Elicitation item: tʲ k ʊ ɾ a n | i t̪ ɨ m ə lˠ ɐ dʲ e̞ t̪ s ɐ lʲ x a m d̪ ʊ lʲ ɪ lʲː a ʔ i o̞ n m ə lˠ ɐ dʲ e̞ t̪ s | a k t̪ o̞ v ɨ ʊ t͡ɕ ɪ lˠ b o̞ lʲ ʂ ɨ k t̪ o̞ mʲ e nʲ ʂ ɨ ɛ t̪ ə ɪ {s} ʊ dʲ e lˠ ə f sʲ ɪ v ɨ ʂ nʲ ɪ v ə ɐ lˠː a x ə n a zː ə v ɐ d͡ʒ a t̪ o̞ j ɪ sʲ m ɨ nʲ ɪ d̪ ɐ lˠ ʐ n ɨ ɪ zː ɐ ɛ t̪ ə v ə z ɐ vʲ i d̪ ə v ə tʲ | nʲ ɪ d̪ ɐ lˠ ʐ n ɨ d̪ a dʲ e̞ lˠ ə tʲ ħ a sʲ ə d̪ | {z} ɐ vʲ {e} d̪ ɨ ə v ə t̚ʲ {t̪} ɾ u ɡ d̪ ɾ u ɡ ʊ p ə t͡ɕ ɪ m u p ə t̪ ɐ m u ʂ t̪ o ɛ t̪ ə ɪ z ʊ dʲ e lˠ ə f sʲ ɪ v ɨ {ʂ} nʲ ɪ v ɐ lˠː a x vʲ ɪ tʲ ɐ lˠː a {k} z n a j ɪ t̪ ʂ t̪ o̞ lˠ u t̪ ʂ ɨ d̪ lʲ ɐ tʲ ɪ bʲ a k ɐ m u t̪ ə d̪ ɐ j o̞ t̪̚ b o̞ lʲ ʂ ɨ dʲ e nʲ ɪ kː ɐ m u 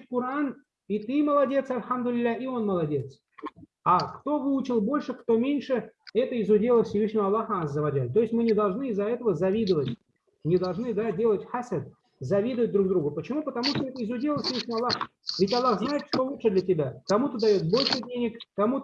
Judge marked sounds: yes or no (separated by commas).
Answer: no, yes, no, no, yes, no